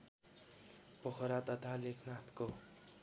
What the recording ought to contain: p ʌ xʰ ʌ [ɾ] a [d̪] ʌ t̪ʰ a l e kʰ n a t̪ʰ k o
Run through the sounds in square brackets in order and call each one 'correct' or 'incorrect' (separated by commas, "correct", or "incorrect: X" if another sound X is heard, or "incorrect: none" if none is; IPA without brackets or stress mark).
correct, incorrect: t̪